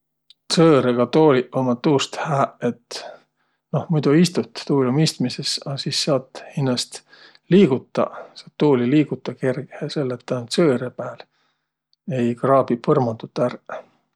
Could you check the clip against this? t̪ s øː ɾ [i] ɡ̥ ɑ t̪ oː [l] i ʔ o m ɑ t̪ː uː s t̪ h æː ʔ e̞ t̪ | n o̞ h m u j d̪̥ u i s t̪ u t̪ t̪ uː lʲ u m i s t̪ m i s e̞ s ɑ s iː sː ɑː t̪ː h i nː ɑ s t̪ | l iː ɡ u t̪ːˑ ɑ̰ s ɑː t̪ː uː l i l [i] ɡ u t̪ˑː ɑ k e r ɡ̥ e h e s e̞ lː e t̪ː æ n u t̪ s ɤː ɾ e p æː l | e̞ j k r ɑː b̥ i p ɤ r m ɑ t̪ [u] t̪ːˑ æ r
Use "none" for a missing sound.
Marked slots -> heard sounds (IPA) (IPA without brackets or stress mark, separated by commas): e, l, iː, u